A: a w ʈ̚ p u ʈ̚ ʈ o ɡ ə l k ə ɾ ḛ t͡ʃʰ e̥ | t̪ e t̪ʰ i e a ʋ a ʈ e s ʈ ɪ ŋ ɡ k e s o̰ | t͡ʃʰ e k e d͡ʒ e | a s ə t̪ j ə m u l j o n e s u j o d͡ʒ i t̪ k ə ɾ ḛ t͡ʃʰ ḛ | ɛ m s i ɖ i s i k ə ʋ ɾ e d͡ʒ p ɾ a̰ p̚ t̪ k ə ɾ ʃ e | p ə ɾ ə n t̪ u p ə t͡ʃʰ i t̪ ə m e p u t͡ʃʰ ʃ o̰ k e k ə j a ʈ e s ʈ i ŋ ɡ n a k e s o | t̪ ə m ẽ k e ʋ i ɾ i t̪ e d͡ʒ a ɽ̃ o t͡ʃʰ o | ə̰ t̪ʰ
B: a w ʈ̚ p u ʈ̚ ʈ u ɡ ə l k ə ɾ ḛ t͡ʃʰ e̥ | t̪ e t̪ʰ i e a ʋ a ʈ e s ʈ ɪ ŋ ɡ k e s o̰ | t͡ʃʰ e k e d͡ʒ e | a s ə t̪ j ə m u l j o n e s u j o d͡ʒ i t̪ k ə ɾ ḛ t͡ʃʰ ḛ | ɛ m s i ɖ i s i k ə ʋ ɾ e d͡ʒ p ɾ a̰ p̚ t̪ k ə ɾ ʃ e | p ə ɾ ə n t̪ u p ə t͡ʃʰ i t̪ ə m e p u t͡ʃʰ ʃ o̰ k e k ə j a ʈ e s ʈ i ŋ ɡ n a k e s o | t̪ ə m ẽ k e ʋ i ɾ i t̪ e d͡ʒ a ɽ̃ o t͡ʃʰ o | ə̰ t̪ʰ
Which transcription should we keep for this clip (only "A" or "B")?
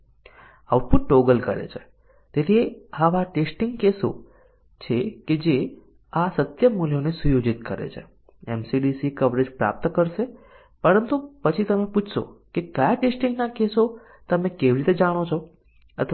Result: A